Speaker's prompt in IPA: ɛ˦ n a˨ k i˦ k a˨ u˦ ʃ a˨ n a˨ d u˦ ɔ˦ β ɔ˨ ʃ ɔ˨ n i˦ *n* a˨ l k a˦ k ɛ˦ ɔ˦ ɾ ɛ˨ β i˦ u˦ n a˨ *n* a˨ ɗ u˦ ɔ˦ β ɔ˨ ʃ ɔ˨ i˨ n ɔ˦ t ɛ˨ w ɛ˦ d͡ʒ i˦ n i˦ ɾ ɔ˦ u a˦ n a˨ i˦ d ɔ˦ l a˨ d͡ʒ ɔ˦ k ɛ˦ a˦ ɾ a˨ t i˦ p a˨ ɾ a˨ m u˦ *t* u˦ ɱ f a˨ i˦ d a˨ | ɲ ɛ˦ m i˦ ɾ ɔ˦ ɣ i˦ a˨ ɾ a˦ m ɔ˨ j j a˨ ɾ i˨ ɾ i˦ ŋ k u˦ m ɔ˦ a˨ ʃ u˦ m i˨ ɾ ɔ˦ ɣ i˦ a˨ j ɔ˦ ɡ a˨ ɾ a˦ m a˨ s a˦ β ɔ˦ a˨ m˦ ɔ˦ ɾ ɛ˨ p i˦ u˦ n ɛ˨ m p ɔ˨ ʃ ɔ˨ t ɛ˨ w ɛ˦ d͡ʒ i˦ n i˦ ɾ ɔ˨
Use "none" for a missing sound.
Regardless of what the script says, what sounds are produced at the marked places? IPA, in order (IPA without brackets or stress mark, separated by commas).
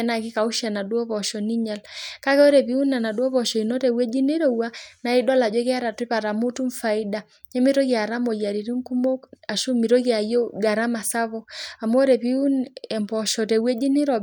ɲ, n, t